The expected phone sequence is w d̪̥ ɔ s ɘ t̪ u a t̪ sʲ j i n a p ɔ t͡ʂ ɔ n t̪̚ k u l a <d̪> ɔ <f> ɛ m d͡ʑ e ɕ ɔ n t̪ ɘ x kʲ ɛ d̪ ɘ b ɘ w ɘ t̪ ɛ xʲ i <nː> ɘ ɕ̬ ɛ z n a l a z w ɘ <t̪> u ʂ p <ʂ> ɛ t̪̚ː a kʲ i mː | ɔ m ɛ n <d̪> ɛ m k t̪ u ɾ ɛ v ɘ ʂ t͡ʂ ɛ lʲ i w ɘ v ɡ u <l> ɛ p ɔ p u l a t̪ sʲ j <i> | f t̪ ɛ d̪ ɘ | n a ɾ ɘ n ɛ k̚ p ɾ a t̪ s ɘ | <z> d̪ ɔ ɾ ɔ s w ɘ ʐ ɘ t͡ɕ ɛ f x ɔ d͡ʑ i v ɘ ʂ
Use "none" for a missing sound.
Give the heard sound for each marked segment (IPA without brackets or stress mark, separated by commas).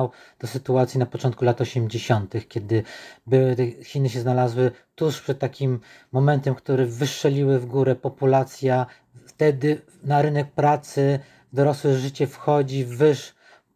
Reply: t̪, ɕ, n, t̪, ʂ, t̪, ɾ, a, v